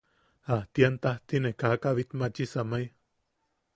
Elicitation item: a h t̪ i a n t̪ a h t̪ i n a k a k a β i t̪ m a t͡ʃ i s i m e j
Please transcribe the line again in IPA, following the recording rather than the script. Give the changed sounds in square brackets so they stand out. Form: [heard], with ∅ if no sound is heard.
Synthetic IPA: a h t̪ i a n t̪ a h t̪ i n [e] k a k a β i t̪ m a t͡ʃ i s [a] m [a] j